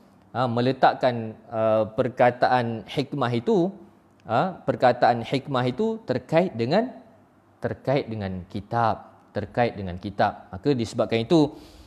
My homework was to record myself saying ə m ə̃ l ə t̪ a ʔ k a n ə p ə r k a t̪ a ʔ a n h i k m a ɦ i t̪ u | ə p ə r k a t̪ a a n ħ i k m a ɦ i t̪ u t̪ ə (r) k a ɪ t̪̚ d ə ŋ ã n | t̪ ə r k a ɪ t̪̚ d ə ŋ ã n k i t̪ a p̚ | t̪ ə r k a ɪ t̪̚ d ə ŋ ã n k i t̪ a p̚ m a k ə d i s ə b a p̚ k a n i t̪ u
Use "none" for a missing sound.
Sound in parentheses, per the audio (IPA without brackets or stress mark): r